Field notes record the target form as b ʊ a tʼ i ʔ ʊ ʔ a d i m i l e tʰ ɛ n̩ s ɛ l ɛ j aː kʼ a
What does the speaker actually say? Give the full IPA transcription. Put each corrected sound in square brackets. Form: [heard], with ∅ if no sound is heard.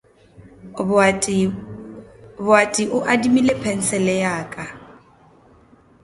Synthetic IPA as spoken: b ʊ a tʼ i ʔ ʊ ʔ a d i m i l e [pʰ] ɛ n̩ s ɛ l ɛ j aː kʼ a